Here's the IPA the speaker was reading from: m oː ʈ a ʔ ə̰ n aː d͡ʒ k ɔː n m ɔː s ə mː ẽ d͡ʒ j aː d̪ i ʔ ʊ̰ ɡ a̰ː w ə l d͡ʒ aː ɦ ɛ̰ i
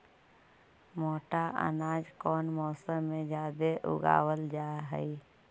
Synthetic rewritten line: m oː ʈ a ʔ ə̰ n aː d͡ʒ k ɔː n m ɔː s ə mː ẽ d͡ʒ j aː d̪ e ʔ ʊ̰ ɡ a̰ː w ə l d͡ʒ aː ɦ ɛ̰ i